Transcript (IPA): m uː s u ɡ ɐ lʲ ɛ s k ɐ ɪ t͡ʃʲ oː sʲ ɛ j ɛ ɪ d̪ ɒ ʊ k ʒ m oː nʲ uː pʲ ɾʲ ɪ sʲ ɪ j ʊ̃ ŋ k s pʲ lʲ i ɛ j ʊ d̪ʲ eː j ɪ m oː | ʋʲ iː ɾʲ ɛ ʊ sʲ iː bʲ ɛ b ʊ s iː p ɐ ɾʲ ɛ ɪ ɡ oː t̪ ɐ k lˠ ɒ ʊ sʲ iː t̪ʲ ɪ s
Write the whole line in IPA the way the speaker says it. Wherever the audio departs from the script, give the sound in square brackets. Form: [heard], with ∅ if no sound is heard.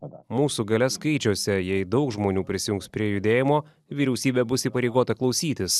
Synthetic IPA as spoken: m uː s u ɡ ɐ lʲ ɛ s k ɐ ɪ t͡ʃʲ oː sʲ ɛ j ɛ ɪ d̪ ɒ ʊ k ʒ m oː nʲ uː pʲ ɾʲ ɪ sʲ ɪ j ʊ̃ ŋ k s pʲ [ɾʲ] i ɛ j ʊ d̪ʲ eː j ɪ m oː | ʋʲ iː ɾʲ ɛ ʊ sʲ iː bʲ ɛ b ʊ s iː p ɐ ɾʲ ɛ ɪ ɡ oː t̪ ɐ k lˠ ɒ ʊ sʲ iː t̪ʲ ɪ s